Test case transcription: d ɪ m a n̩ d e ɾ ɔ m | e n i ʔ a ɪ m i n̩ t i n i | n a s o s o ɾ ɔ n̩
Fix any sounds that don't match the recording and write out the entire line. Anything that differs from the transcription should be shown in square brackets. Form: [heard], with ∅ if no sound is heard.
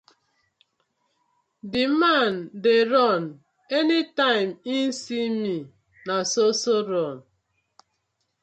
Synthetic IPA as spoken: d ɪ m a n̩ d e ɾ ɔ [n] | e n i [t] a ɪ m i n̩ [s] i [m] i | n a s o s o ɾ ɔ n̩